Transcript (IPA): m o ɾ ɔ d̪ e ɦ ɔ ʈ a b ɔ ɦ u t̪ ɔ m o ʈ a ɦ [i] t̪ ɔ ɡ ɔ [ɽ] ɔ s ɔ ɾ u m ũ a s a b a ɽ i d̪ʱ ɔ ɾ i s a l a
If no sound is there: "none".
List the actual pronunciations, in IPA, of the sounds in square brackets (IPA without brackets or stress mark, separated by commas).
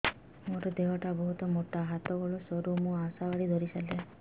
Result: a, ɭ